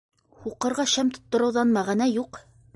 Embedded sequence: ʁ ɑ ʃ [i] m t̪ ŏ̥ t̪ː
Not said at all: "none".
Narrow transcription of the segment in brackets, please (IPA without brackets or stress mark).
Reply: æ